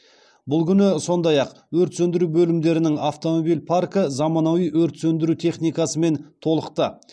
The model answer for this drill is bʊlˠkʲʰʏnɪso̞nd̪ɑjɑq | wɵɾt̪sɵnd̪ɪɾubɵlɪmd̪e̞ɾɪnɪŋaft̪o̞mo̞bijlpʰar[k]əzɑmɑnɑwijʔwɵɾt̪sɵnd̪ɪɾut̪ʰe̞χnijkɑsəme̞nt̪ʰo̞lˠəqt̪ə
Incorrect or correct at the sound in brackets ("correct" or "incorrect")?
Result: correct